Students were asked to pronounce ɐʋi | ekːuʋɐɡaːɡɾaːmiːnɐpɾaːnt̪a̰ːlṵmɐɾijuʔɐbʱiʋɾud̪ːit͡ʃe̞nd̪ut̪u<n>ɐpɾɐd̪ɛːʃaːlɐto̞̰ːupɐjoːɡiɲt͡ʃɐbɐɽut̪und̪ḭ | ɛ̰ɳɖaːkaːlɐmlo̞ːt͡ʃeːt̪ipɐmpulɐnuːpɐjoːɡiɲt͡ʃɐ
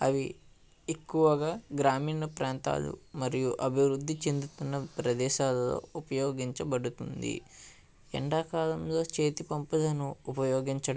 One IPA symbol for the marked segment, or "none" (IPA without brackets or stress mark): nː